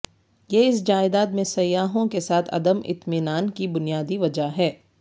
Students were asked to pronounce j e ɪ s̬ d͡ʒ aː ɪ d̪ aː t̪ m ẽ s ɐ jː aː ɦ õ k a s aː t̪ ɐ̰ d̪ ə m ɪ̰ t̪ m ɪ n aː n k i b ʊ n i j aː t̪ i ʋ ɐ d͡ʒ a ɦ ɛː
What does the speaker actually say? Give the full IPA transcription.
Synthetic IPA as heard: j e ɪ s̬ d͡ʒ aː ɪ d̪ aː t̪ m ẽ s ɐ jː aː ɦ õ k e s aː t̪ʰ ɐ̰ d̪ ə m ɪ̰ t̪ m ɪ n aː n k i b ʊ n i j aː d̪ i ʋ ɐ d͡ʒ a ɦ ɛː